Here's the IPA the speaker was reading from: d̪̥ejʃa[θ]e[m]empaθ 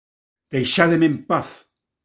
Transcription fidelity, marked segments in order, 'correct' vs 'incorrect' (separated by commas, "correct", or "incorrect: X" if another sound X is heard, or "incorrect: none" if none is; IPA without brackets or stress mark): incorrect: ð, correct